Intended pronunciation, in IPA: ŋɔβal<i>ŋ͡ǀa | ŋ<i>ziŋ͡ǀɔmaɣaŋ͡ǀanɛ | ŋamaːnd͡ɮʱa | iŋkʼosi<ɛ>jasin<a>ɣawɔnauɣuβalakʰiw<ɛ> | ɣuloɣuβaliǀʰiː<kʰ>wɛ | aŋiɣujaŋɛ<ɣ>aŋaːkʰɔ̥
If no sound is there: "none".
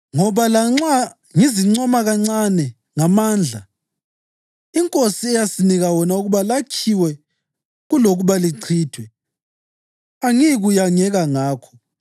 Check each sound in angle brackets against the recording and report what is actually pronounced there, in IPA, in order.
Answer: a, i, ɛ, i, ɛ, tʰ, ɣ

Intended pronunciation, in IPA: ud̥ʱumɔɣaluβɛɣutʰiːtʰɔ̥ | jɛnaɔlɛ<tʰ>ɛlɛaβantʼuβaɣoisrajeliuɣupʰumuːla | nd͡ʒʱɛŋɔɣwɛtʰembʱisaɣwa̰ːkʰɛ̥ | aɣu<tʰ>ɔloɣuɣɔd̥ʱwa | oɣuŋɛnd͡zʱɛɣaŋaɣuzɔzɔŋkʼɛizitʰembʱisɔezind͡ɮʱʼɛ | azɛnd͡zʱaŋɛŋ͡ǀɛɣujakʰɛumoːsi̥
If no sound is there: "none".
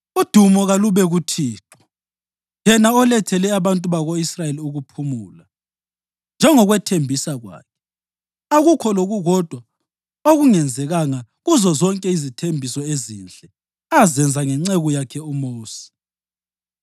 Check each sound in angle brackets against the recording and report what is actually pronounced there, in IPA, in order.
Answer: tʰ, kʰ

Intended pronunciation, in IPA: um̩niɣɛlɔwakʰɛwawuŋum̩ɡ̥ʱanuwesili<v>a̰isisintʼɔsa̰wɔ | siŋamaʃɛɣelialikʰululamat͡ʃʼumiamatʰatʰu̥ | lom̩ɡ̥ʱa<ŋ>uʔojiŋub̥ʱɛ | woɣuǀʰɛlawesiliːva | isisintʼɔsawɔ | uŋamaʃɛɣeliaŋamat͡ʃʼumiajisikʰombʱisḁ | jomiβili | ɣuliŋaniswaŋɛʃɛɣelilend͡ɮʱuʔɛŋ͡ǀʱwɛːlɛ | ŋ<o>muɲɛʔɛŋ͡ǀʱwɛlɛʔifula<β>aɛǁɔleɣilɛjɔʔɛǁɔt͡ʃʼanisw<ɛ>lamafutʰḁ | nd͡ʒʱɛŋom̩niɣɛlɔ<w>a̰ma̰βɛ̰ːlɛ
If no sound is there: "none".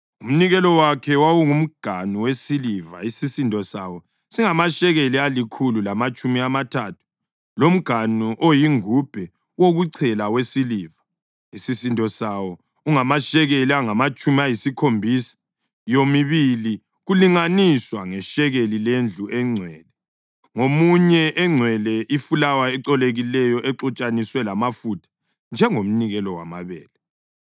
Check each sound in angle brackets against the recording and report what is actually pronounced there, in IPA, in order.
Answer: v, n, o, w, ɛ, w

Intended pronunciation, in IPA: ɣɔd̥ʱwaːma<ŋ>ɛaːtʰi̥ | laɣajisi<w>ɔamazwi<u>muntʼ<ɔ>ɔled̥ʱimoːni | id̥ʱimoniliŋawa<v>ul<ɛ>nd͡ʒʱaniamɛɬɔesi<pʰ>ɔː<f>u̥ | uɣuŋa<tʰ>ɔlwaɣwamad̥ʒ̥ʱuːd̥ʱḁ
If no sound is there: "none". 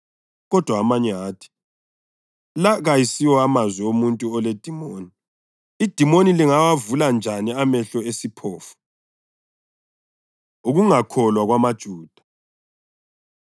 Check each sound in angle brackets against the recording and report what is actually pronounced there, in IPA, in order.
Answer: ɲ, w, o, u, v, a, pʰ, f, kʰ

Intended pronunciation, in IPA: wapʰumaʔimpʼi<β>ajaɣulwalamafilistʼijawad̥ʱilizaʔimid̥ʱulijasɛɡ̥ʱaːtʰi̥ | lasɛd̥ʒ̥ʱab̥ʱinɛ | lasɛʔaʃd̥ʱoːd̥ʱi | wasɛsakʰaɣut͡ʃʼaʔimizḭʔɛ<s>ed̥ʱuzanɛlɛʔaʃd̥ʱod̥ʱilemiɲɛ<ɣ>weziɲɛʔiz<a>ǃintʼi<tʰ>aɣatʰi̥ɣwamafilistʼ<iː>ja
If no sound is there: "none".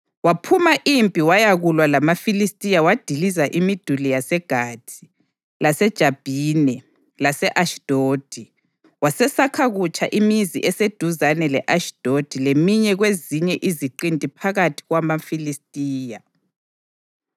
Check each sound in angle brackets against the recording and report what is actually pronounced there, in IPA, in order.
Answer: w, s, ɣ, i, pʰ, iː

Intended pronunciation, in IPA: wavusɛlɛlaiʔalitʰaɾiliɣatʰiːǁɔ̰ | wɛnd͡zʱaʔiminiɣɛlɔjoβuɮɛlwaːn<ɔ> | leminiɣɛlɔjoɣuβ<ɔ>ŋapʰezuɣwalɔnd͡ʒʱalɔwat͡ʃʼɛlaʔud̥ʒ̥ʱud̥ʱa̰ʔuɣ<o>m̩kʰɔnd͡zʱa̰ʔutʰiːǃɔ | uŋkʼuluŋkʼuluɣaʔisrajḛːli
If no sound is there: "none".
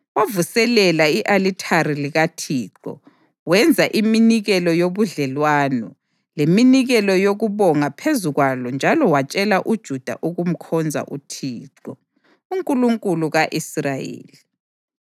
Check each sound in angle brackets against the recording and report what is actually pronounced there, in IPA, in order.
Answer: ɔ, ɔ, u

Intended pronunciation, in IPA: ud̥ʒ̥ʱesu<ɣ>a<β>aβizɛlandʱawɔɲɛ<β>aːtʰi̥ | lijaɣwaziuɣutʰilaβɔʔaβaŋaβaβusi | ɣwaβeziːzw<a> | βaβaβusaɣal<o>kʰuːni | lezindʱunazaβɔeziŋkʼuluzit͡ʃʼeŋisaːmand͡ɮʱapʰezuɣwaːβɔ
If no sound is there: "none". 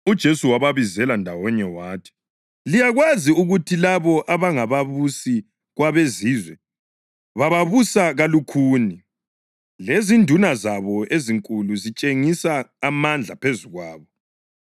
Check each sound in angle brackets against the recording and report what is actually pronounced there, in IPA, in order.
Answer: w, β, w, ɛ, u

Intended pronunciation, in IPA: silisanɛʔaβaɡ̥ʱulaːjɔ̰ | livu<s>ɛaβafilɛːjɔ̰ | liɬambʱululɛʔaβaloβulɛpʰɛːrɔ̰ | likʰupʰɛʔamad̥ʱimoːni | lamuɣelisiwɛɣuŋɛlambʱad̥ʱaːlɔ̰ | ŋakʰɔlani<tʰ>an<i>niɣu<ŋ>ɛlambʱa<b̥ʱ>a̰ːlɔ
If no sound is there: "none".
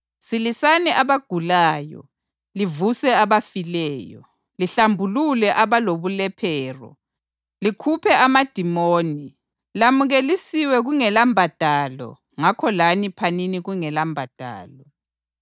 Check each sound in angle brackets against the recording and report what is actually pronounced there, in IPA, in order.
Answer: s, pʰ, i, ŋ, d̥ʱ

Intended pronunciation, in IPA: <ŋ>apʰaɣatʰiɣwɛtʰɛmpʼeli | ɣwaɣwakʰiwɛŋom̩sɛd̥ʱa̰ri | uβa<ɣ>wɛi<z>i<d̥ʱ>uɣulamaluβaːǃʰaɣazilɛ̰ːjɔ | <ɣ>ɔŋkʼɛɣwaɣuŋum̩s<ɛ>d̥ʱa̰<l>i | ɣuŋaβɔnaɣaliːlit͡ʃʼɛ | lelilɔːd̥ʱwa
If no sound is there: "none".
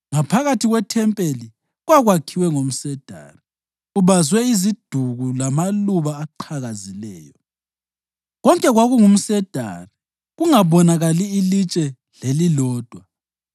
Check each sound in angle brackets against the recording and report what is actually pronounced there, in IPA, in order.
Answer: ŋ, z, z, d̥ʱ, ɣ, ɛ, r

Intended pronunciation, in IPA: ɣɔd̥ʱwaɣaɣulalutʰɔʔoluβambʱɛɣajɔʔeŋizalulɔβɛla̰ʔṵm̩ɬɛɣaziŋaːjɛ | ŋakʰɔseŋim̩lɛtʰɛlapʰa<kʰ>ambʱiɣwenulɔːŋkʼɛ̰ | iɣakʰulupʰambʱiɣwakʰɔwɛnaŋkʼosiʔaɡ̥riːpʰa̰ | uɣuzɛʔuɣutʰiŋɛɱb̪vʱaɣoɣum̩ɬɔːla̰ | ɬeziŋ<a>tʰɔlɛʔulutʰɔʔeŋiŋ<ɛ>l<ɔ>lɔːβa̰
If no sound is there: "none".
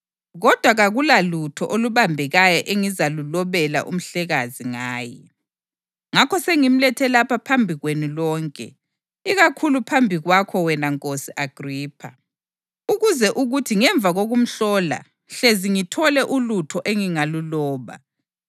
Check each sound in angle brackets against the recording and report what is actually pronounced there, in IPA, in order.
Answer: pʰ, i, a, u

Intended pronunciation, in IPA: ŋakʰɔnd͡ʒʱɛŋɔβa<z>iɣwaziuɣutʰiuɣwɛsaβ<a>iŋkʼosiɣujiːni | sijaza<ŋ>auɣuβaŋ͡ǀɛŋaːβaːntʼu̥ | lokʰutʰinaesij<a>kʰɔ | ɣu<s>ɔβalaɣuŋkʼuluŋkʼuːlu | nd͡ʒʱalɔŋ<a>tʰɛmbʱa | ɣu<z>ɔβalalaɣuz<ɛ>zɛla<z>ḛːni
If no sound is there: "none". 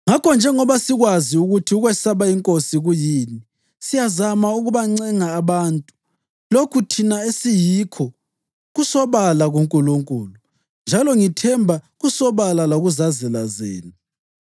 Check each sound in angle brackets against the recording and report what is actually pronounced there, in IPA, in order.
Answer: s, a, m, i, s, i, s, a, z

